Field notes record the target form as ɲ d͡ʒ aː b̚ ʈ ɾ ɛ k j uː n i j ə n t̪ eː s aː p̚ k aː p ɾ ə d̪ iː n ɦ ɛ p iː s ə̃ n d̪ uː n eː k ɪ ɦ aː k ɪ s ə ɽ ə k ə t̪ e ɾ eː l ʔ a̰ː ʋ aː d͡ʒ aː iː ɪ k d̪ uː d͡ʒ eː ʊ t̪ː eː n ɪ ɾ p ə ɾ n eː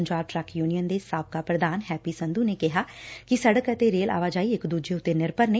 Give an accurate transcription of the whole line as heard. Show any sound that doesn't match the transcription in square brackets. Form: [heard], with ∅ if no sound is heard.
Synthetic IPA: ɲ d͡ʒ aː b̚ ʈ ɾ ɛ k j uː n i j ə n [d̪] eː s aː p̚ k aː p ɾ ə d̪ [aː] n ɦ [ɛː] p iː s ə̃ n d̪ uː n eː k ɪ ɦ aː k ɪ s ə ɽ ə k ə t̪ e ɾ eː l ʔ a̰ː ʋ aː d͡ʒ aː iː ɪ k d̪ uː d͡ʒ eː ʊ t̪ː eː n ɪ ɾ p ə ɾ n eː